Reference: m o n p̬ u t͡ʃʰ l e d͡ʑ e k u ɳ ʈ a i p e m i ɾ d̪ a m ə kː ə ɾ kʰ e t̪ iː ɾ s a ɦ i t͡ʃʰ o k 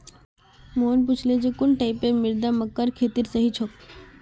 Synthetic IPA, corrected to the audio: m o n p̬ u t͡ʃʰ l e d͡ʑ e k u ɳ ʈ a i p e m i ɾ d̪ a m ə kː ə ɾ kʰ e t̪ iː ɾ s ə ɦ i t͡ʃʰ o k